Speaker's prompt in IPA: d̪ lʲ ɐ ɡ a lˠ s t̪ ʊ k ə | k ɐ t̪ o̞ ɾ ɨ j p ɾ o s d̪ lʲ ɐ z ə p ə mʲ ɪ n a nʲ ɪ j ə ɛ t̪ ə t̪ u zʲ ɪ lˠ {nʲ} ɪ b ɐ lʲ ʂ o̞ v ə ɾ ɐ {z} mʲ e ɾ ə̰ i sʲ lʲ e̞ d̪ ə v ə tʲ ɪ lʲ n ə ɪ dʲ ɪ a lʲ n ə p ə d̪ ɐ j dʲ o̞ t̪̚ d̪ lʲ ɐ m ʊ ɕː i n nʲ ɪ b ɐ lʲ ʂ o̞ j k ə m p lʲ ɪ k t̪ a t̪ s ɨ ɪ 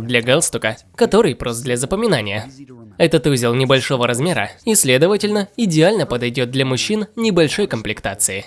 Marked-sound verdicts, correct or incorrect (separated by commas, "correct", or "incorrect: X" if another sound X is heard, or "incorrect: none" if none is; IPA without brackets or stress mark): correct, correct